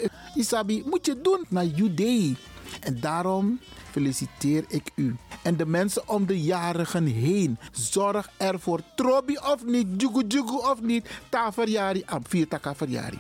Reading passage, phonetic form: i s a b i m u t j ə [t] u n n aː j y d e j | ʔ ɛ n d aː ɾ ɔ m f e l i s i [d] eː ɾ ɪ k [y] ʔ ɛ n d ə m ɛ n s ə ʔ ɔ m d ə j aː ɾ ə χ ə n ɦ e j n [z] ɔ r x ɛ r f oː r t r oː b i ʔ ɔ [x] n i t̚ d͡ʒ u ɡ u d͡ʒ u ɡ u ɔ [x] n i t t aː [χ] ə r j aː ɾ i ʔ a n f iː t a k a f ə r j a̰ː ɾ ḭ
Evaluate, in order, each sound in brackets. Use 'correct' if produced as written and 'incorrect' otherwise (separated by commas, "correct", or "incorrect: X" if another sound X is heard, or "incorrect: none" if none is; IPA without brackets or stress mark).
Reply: incorrect: d, incorrect: t, correct, correct, incorrect: f, incorrect: f, incorrect: f